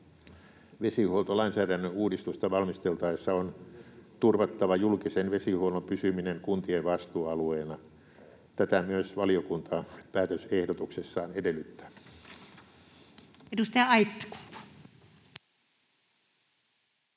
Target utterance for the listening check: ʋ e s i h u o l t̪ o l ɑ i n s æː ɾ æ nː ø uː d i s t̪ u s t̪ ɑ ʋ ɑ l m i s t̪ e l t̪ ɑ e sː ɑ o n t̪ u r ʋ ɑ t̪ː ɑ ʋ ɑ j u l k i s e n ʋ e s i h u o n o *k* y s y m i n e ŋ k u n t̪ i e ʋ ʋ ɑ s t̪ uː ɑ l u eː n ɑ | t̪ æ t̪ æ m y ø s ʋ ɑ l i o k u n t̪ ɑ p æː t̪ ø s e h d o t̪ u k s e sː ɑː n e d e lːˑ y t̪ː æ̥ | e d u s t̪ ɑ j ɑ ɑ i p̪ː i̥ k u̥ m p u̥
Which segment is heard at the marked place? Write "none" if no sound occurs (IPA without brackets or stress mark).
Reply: p